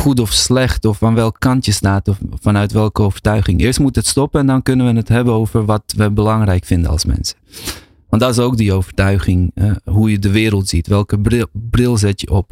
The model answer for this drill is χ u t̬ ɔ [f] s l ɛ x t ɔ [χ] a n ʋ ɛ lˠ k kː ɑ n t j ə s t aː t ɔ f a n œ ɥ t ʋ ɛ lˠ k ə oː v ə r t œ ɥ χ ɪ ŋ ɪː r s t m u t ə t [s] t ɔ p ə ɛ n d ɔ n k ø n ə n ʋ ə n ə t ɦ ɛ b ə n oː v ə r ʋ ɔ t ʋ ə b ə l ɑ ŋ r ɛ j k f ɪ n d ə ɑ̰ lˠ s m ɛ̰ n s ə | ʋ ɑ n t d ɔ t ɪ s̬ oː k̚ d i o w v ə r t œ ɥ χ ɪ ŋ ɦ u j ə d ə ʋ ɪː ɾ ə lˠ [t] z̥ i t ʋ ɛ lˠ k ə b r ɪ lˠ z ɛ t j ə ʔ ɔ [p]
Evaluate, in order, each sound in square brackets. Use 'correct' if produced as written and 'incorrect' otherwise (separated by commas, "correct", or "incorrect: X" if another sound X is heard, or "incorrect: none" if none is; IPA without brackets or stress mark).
correct, incorrect: f, correct, correct, correct